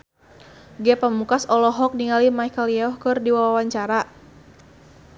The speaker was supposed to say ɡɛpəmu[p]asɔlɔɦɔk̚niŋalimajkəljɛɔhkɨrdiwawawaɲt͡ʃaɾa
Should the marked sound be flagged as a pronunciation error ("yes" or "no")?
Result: yes